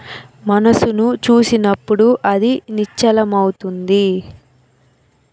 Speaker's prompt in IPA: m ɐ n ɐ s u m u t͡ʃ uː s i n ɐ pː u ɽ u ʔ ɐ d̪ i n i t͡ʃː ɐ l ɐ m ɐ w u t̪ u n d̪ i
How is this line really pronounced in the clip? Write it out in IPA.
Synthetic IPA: m ɐ n ɐ s u n u t͡ʃ uː s i n ɐ pː u ɽ u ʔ ɐ d̪ i n i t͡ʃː ɐ l ɐ m ɐ w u t̪ u n d̪ i